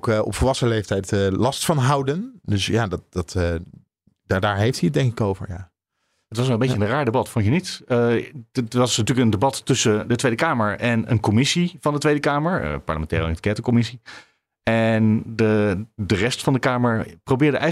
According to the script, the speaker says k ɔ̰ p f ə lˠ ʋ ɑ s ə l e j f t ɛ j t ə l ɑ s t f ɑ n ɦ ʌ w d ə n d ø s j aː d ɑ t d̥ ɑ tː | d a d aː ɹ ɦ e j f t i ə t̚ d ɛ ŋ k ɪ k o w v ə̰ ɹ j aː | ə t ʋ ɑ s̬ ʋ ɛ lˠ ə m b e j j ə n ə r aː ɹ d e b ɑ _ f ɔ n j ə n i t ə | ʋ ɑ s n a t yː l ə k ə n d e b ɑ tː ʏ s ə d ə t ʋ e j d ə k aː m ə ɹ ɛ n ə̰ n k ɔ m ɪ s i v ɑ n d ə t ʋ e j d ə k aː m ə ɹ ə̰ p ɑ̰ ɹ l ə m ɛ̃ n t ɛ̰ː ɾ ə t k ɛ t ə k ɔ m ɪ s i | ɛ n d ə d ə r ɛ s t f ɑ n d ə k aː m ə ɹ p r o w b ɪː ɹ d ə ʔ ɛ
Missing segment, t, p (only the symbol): t